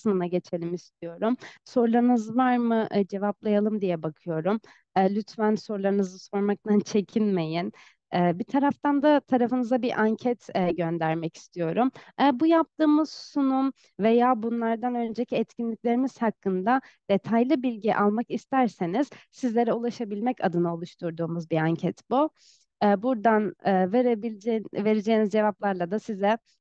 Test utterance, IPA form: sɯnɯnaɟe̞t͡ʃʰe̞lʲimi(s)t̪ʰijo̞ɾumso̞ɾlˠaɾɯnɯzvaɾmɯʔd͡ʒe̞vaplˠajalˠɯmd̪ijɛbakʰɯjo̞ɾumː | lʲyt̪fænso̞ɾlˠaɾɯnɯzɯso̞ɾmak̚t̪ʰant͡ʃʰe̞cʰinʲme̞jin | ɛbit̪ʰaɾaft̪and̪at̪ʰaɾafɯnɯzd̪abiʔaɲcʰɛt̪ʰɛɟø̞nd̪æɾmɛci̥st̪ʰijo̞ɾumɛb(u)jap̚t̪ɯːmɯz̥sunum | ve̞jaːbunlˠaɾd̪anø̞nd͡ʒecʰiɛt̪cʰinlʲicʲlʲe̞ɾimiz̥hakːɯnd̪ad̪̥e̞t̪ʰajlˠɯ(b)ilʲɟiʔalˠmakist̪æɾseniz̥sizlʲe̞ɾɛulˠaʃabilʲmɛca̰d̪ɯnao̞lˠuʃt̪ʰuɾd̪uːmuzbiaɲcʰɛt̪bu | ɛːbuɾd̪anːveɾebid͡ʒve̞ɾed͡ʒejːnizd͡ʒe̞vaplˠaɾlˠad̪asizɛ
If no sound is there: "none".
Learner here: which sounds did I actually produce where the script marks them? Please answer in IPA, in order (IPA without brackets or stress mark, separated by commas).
s, u, b